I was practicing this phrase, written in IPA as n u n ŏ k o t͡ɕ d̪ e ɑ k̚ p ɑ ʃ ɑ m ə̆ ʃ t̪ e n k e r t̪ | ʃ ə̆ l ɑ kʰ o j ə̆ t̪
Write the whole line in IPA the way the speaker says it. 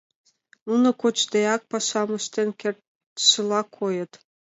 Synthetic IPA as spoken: n u n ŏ k o t͡ɕ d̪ e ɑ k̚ p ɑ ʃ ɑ m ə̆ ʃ t̪ e n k e r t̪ | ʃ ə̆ l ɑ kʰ o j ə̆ t̪